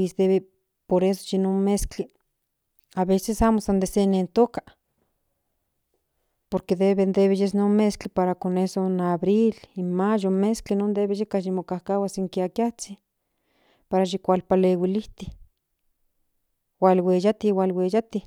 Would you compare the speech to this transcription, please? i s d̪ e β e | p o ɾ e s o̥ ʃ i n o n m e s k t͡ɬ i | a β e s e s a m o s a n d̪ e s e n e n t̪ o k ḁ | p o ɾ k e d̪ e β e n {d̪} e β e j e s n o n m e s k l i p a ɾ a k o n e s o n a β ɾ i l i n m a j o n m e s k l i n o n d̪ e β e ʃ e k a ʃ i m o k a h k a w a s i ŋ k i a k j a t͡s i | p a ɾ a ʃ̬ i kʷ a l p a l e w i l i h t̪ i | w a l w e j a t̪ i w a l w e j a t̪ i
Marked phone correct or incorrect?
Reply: correct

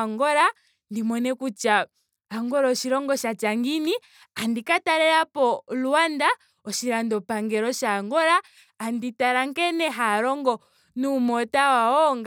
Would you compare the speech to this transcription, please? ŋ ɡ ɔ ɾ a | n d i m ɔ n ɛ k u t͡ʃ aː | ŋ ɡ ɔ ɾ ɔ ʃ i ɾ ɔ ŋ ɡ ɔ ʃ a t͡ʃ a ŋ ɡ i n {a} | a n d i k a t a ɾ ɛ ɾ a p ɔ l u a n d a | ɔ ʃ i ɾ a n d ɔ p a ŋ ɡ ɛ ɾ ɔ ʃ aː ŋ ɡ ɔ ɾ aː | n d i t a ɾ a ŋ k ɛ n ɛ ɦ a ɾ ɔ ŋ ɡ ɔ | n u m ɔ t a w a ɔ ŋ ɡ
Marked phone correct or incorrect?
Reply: incorrect: i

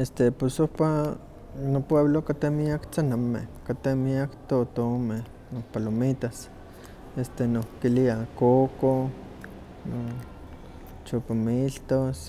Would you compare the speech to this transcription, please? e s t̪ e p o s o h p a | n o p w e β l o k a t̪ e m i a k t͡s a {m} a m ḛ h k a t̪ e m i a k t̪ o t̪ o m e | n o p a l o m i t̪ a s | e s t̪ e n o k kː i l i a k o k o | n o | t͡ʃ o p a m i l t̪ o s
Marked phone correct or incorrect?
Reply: incorrect: n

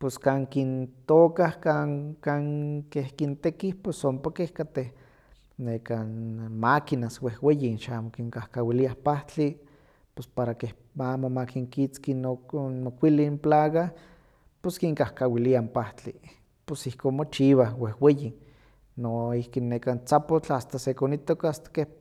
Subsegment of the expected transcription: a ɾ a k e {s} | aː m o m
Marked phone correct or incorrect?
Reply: incorrect: h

